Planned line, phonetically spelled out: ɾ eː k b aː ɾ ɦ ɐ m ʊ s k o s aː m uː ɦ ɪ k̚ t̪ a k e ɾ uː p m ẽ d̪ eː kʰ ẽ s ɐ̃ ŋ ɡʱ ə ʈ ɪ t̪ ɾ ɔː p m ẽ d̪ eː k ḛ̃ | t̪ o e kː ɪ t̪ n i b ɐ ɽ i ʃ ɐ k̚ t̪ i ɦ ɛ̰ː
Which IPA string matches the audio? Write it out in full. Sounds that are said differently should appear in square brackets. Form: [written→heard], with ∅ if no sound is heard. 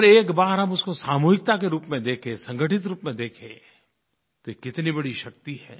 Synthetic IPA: ɾ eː k b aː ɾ ɦ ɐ m ʊ s k o s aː m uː ɦ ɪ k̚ t̪ a k e ɾ uː p m ẽ d̪ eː kʰ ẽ s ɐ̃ ŋ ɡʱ ə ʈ ɪ t̪ ɾ [ɔː→uː] p m ẽ d̪ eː [k→kʰ] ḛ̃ | t̪ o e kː ɪ t̪ n i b ɐ ɽ i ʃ ɐ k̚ t̪ i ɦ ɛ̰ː